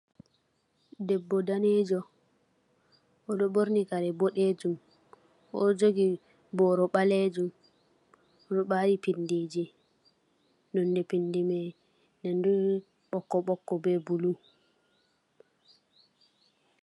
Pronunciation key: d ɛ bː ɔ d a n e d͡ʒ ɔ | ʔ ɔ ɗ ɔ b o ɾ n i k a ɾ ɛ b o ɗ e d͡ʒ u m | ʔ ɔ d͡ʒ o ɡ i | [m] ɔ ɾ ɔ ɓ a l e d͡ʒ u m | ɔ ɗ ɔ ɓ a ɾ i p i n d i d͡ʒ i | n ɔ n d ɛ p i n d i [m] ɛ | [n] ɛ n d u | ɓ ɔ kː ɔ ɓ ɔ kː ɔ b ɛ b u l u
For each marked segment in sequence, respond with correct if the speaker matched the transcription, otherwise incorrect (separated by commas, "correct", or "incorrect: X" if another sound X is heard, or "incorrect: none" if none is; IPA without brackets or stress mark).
incorrect: b, correct, correct